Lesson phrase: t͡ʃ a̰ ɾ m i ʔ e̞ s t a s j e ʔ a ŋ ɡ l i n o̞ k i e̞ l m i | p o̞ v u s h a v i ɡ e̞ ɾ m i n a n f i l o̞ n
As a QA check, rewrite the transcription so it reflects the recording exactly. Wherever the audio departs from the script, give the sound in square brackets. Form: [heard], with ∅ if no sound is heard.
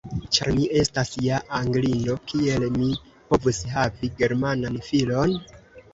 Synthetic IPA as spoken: t͡ʃ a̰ ɾ m i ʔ e̞ s t a s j [a] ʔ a ŋ ɡ l i n o̞ k i e̞ l m i | p o̞ v u s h a v i ɡ e̞ ɾ m [a] n a n f i l o̞ n